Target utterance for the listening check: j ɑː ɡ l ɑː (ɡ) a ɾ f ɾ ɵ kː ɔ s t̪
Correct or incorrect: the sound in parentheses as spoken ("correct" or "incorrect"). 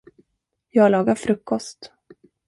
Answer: correct